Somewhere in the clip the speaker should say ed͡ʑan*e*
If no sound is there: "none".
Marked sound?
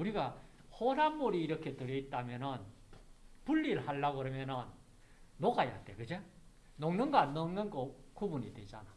a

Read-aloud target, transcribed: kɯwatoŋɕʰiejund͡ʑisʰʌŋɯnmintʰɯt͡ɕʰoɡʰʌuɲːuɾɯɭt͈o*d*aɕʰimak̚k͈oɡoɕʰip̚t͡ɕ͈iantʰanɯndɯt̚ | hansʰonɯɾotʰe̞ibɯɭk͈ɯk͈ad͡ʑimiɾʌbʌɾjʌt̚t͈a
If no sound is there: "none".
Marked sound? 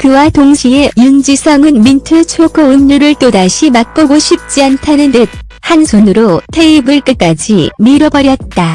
d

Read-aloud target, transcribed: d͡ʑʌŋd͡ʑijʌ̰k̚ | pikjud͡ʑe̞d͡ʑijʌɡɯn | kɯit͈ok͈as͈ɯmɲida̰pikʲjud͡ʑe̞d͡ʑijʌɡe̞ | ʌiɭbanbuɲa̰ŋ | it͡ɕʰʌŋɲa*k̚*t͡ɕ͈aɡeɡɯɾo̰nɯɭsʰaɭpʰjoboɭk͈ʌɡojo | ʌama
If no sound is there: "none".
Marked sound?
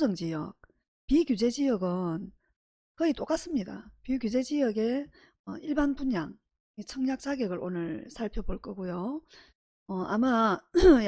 k̚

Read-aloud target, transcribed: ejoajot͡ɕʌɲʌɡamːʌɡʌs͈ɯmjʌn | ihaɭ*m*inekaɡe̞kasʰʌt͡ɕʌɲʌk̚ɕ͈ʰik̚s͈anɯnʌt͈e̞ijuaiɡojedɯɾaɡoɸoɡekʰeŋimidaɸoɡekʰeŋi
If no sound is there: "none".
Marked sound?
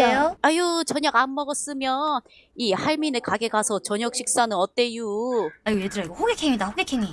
m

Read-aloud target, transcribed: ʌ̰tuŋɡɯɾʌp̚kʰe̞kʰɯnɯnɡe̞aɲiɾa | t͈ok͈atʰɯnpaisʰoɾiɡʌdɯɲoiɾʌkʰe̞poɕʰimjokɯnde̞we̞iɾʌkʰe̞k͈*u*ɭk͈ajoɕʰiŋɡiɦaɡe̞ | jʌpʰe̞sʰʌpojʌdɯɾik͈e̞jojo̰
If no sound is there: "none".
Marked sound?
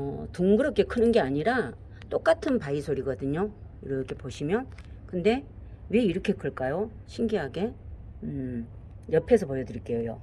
ɯ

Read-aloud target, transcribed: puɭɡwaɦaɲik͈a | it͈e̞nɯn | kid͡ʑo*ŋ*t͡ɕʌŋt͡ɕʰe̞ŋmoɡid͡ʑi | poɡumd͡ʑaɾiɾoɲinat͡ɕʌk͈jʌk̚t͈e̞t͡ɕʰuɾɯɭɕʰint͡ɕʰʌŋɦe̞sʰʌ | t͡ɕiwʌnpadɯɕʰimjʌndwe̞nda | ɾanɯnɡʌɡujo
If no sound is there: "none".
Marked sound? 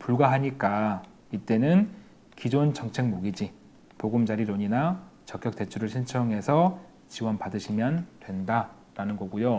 n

